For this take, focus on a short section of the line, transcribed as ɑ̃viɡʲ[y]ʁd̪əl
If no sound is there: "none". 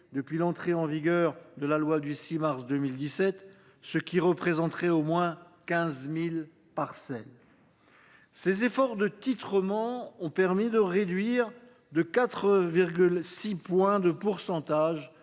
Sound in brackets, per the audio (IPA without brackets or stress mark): œ